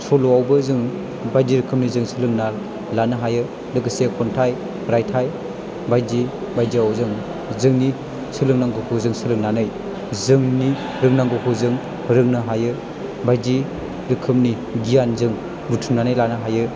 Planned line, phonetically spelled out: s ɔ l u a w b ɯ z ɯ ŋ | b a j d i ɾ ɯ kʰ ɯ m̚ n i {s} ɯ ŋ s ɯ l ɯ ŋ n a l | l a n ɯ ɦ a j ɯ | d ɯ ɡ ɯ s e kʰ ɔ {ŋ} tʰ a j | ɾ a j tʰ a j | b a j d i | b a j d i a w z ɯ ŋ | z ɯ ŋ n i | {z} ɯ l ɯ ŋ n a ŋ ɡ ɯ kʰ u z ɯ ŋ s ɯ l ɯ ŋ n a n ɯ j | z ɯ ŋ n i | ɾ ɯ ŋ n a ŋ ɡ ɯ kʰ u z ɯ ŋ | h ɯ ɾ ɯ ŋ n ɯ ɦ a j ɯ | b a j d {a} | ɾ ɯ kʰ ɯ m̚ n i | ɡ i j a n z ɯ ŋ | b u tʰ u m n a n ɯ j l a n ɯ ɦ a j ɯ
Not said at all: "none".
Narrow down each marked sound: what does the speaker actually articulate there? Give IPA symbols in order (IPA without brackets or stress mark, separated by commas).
z, n, s, i